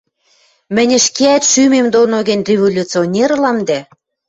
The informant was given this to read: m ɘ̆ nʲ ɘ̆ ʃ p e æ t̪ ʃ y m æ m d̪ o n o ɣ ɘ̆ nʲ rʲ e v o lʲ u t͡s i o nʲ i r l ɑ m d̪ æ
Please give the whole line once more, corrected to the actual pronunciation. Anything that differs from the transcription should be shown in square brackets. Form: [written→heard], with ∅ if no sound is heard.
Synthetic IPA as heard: m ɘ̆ nʲ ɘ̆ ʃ [p→k] e æ t̪ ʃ y m [æ→e] m d̪ o n o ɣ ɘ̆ nʲ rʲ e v o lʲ u t͡s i o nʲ [i→e] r l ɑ m d̪ æ